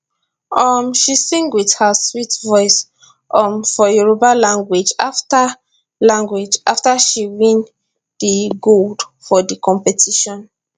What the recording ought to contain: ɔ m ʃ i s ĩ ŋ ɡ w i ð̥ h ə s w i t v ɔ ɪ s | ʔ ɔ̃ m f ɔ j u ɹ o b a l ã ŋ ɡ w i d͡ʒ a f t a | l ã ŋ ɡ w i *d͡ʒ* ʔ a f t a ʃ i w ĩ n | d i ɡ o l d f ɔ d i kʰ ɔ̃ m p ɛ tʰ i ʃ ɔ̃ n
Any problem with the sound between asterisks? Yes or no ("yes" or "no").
no